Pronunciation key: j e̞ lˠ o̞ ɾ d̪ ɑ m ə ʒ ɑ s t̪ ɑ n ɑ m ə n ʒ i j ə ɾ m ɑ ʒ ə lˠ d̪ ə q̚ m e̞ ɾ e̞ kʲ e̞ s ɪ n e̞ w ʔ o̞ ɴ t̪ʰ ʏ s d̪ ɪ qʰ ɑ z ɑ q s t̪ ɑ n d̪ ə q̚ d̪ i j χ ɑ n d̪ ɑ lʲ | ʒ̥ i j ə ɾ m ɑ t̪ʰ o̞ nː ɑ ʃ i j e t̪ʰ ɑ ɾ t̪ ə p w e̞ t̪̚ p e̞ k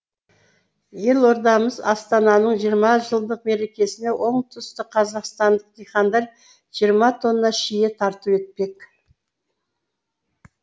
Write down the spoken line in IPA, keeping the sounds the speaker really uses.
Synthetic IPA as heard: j e̞ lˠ o̞ ɾ d̪ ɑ m ə z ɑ s t̪ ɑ n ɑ n ə ɴ ʒ i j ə ɾ m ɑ ʒ ə lˠ d̪ ə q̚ m e̞ ɾ e̞ kʲ e̞ s ɪ n e̞ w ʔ o̞ ɴ t̪ʰ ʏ s t̪ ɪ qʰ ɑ z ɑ q s t̪ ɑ n d̪ ə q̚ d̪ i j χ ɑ n d̪ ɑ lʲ | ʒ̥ i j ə ɾ m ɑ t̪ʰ o̞ nː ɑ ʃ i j e t̪ʰ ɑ ɾ t̪ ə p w e̞ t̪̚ p e̞ k